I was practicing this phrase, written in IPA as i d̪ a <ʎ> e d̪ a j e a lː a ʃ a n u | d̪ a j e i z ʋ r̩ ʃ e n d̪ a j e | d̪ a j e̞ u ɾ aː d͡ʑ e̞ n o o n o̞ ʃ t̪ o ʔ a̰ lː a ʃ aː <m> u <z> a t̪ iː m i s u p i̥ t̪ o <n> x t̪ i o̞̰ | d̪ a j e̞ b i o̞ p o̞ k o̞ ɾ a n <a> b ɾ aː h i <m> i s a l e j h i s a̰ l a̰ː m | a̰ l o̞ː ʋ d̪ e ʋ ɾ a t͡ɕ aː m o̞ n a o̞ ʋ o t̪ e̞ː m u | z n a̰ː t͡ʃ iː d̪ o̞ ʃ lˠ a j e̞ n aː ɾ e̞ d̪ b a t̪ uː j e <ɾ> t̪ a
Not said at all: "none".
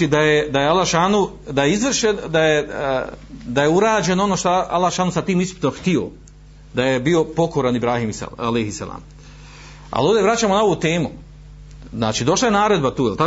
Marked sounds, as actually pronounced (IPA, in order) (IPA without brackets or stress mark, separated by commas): j, n, s, m, i, m, l